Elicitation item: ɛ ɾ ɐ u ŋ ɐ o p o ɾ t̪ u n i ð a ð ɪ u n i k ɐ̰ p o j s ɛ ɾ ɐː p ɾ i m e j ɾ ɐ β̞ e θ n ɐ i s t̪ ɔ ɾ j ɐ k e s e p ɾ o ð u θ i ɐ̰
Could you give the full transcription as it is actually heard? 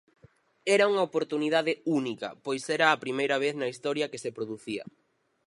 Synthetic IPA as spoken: ɛ ɾ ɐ u ŋ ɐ o p o ɾ t̪ u n i ð a ð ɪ u n i k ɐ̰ p o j s ɛ ɾ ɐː p ɾ i m e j ɾ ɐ β̞ e θ n ɐ i s t̪ ɔ ɾ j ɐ k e s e p ɾ o ð u θ i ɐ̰